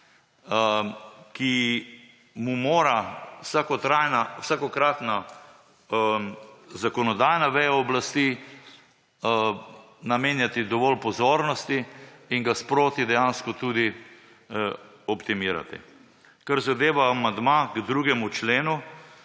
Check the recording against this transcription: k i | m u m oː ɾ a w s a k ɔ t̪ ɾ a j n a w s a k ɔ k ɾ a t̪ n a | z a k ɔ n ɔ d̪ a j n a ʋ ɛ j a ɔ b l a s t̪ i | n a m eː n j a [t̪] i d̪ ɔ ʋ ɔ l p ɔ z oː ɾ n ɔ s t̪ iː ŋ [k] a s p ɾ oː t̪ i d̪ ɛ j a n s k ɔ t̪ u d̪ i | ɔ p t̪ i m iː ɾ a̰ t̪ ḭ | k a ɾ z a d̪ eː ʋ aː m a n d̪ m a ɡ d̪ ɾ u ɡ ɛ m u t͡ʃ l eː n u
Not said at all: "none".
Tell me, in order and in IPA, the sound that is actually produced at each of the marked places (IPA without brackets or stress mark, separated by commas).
t̪, ɡ